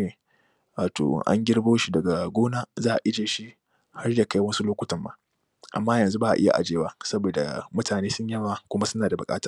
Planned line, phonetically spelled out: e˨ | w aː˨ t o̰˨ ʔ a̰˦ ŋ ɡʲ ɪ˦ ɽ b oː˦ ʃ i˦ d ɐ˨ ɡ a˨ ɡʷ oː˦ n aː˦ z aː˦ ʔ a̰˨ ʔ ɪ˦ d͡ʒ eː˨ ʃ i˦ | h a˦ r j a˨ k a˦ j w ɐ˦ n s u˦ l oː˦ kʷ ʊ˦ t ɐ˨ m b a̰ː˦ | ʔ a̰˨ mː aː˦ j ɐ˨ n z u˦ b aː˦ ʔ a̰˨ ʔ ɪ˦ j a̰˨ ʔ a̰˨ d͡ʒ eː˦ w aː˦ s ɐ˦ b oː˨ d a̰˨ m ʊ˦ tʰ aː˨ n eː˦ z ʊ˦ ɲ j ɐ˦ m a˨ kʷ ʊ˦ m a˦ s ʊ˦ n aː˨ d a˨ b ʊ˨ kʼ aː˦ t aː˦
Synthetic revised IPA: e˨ | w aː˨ t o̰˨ ʔ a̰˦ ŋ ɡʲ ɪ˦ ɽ b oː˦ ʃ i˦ d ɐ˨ ɡ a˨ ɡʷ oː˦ n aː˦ z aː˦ ʔ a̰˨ ʔ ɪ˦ d͡ʒ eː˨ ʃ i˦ | h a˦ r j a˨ k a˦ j w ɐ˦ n s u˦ l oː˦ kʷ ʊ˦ t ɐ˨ m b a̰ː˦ | ʔ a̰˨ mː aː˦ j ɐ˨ n z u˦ b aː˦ ʔ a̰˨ ʔ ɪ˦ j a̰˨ ʔ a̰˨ d͡ʒ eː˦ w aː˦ s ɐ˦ b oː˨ d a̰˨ m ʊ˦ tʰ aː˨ n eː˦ s ʊ˦ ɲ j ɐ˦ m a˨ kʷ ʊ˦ m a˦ s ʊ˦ n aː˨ d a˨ b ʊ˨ kʼ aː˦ t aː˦